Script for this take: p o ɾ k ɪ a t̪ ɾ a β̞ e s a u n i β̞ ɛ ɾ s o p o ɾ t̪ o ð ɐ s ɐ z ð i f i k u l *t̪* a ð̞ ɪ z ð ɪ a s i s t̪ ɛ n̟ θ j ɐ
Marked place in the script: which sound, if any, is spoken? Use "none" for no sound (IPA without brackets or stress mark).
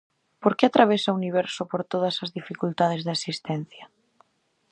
t̪